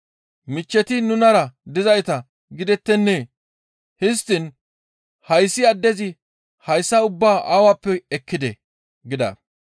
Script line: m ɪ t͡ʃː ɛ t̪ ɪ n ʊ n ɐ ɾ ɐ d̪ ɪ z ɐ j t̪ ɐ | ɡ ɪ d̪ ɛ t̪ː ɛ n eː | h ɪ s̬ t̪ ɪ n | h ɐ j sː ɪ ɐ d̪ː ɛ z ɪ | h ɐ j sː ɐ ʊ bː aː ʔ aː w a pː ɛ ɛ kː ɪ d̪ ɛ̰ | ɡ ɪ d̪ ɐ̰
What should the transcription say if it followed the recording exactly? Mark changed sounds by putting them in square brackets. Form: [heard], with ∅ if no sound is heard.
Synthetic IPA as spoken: m ɪ t͡ʃː ɛ t̪ ɪ n ʊ n ɐ ɾ ɐ d̪ ɪ z ɐ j t̪ ɐ | ɡ ɪ d̪ ɛ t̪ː ɛ [nː] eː | h ɪ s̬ t̪ ɪ n | h ɐ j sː ɪ ɐ d̪ː ɛ z ɪ | h ɐ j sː ɐ ʊ bː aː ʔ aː w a pː ɛ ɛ kː ɪ d̪ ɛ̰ | ɡ ɪ d̪ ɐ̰